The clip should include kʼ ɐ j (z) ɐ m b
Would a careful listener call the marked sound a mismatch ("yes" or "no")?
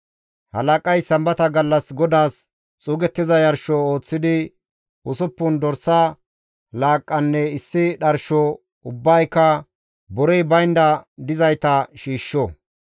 yes